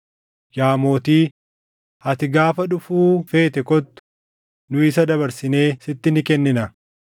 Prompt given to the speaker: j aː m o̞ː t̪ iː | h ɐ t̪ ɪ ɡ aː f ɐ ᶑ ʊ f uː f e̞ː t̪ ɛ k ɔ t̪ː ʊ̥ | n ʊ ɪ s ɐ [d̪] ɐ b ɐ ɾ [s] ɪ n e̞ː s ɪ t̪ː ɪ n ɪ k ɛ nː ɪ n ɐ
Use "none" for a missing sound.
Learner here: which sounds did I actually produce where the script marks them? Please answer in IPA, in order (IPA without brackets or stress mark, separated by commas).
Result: d̪, s